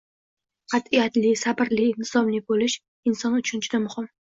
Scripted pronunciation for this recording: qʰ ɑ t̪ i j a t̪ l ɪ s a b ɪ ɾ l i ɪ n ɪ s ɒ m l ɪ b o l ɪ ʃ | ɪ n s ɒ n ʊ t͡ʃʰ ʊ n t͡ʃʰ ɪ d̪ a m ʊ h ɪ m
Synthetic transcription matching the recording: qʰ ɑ t̪ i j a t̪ l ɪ s a b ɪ ɾ l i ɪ n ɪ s ɒ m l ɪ b o l ɪ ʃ | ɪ n s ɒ n ʊ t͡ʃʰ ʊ n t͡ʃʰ ɪ d̪ a m ʊ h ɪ m